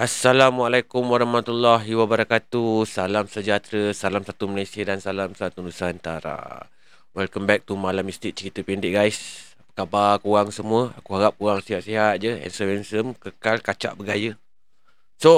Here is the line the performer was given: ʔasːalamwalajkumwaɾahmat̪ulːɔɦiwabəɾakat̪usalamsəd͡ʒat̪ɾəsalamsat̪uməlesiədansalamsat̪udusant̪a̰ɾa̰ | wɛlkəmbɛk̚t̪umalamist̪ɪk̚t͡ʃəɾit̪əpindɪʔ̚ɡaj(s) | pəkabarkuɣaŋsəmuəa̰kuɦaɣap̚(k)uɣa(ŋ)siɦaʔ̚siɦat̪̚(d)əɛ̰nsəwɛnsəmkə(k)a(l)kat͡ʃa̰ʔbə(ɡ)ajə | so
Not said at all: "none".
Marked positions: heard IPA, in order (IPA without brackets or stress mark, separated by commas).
s, k, ŋ, d͡ʒ, k, l, ɡ